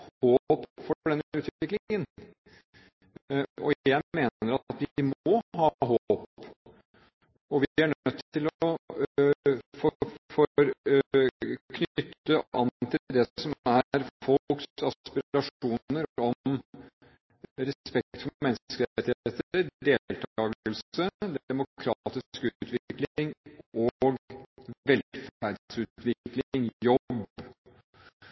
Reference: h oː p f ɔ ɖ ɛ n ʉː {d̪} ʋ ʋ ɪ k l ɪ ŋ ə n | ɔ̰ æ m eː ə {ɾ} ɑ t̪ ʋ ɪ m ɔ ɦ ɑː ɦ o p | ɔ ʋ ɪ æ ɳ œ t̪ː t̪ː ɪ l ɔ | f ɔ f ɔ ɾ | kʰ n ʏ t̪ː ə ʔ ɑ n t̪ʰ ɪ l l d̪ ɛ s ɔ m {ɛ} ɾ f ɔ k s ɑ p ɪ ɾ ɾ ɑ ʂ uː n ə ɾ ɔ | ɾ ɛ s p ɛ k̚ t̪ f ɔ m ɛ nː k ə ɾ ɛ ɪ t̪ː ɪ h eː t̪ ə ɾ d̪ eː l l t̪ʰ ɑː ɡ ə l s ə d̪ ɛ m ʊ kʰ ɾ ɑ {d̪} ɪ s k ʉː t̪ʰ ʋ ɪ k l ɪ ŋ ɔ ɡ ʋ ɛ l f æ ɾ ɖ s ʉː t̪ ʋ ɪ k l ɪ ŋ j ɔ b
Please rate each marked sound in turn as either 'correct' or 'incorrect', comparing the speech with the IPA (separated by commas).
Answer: incorrect, correct, incorrect, incorrect